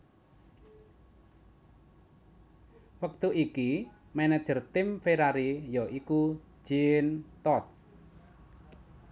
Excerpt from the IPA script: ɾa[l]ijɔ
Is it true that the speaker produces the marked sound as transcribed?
no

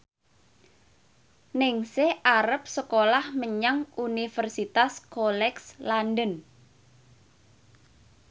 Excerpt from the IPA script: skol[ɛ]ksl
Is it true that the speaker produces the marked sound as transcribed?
yes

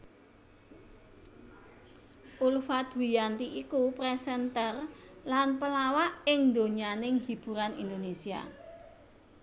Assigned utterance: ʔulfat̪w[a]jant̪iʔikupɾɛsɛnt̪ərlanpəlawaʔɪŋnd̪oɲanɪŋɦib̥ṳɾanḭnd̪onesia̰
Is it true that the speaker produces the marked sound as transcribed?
no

